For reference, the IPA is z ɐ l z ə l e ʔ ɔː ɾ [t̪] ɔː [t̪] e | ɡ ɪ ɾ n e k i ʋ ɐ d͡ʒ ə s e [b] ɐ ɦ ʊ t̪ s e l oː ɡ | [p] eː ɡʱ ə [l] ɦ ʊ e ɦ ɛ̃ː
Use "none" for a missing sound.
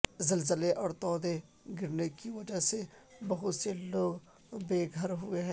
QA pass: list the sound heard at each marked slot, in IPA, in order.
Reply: t̪, d̪, b, b, ɾ

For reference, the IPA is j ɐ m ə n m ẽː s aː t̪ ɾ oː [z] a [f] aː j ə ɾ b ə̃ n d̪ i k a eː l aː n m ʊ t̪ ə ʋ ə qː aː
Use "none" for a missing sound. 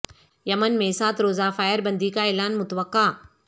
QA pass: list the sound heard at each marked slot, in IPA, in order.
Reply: z, f

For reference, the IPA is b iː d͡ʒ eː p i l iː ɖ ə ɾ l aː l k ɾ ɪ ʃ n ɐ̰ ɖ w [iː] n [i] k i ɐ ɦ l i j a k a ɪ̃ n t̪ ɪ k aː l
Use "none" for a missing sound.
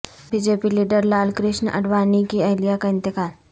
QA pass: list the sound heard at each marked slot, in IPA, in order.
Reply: aː, i

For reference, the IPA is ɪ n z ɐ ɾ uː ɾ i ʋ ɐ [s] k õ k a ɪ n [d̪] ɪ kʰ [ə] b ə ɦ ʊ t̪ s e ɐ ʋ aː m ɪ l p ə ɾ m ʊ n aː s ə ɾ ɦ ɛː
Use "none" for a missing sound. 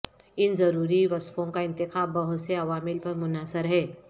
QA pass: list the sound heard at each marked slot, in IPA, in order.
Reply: s, t̪, a

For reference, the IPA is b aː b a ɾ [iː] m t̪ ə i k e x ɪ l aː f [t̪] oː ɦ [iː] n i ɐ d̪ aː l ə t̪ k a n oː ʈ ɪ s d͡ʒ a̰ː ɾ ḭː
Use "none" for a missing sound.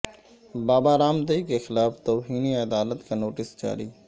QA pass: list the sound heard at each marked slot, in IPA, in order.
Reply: aː, t̪, iː

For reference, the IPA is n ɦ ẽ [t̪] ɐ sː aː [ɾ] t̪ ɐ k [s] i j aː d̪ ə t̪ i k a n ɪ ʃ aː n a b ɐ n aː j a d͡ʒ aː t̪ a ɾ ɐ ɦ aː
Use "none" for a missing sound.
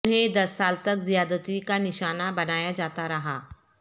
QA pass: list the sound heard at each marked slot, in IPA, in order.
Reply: d̪, l, z

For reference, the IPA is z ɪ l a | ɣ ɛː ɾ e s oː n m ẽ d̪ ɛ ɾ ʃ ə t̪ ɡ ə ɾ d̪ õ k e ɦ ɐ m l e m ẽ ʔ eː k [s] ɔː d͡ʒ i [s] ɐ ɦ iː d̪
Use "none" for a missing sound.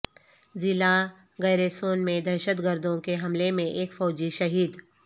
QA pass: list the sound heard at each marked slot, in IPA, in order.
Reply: f, ʃ

